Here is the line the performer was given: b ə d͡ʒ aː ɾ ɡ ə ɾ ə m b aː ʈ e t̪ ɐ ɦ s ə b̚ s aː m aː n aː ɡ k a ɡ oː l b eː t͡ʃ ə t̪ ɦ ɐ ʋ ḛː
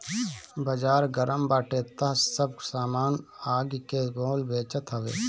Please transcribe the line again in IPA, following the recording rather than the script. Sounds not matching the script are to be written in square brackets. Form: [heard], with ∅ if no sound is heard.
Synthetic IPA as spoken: b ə d͡ʒ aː ɾ ɡ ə ɾ ə m b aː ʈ e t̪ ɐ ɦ s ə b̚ s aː m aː n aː ɡ k [e] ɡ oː l b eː t͡ʃ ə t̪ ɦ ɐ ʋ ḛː